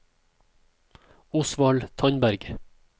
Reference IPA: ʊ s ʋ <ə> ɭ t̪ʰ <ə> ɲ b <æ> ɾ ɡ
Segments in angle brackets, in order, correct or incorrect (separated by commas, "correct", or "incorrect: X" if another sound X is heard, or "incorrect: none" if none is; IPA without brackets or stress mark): incorrect: ɑ, incorrect: ɑ, correct